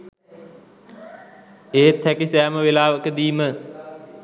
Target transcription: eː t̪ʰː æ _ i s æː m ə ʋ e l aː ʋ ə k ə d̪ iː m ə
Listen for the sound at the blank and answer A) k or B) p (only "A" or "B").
A